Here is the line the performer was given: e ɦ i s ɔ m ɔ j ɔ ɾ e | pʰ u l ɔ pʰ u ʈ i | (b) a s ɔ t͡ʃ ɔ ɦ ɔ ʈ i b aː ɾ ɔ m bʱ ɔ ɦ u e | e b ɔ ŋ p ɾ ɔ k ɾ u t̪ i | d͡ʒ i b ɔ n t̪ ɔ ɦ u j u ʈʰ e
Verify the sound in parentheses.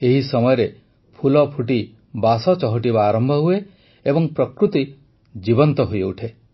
correct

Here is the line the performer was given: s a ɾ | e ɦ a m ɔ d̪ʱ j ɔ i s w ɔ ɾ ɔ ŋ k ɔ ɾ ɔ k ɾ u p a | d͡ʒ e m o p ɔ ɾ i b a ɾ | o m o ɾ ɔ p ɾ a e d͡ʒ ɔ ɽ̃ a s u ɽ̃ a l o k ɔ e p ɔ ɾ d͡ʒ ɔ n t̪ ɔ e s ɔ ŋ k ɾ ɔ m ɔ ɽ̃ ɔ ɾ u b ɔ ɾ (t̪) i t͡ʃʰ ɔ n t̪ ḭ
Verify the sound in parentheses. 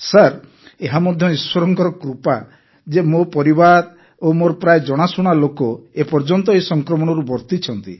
correct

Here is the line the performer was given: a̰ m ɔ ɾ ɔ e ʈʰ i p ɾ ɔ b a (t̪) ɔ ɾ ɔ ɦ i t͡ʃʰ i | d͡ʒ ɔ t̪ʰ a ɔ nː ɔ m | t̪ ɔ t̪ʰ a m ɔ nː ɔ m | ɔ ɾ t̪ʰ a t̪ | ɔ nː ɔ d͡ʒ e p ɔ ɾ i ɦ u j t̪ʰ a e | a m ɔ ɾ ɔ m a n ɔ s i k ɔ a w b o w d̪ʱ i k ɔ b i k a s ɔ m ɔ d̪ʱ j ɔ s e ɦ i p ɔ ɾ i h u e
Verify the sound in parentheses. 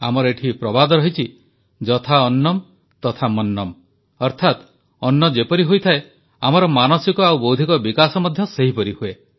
incorrect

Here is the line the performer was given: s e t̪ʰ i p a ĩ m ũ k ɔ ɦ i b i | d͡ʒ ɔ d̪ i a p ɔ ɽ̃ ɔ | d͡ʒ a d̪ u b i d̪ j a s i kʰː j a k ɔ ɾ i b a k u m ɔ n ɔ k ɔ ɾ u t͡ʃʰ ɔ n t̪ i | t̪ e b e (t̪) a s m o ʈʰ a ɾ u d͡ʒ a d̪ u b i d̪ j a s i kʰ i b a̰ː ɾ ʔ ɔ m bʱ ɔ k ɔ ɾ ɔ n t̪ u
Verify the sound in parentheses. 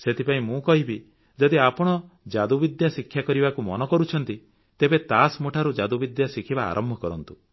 correct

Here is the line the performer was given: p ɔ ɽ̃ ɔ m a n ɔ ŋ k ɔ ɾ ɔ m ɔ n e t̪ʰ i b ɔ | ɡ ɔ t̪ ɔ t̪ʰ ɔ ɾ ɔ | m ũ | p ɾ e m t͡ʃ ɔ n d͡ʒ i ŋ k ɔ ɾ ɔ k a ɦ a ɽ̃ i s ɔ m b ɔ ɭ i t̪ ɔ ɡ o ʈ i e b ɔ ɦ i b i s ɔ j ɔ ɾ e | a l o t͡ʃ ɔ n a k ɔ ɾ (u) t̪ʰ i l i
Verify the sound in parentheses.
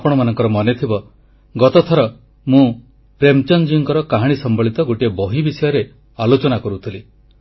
correct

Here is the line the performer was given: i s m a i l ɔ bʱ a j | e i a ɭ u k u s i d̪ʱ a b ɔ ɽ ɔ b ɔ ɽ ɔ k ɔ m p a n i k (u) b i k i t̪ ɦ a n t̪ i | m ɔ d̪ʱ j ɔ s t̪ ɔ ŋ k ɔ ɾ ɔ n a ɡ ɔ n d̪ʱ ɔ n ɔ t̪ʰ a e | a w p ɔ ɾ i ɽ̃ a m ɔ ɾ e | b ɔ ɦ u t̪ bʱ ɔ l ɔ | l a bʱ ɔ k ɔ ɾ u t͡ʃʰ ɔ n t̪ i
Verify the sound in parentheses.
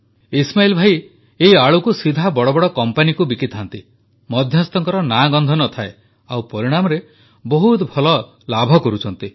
correct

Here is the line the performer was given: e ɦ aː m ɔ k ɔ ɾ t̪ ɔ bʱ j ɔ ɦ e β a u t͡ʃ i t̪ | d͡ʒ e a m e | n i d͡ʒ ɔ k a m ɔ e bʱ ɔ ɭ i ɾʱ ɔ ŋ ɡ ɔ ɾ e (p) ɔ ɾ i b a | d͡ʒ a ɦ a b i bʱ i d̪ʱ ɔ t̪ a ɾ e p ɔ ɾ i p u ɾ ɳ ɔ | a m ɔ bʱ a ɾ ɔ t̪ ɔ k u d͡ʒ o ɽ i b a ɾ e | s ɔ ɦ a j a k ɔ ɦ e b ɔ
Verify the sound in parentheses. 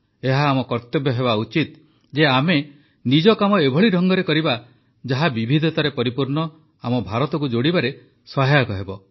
incorrect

